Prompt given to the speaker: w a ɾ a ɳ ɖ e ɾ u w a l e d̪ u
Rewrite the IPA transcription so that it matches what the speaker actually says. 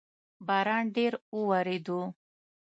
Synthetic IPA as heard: b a ɾ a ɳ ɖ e ɾ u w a ɾ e d̪ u